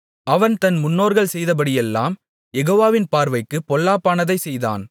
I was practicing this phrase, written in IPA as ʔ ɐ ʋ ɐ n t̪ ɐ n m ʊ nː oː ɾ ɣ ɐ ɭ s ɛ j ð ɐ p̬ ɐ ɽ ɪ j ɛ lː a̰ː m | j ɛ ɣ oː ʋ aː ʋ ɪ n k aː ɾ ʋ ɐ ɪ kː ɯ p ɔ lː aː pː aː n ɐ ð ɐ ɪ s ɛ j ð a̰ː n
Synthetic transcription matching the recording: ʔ ɐ ʋ ɐ n t̪ ɐ n m ʊ nː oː ɾ ɣ ɐ ɭ s ɛ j ð ɐ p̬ ɐ ɽ ɪ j ɛ lː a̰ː m | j ɛ ɣ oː ʋ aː ʋ ɪ n p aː ɾ ʋ ɐ ɪ kː ɯ p ɔ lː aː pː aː n ɐ ð ɐ ɪ s ɛ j ð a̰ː n